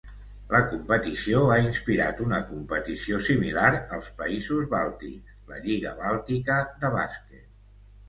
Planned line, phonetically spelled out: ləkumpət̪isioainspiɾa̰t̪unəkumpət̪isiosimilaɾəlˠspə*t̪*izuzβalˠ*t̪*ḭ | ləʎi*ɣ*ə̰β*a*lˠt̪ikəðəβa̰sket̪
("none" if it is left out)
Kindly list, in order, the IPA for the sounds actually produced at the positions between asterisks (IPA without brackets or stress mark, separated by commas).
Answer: none, t̪, ɣ, a